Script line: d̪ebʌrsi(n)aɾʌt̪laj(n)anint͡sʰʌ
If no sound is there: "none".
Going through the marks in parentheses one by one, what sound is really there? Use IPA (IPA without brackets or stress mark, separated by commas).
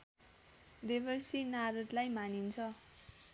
n, m